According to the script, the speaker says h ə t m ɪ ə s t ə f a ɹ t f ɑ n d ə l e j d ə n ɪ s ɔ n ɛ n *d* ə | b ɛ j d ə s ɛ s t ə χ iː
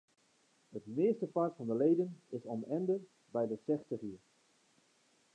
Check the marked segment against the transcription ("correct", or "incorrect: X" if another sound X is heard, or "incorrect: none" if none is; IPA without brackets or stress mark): correct